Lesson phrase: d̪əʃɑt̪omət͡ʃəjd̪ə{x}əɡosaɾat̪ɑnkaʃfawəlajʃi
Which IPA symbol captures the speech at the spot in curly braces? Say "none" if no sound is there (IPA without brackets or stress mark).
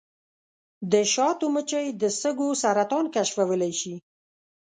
s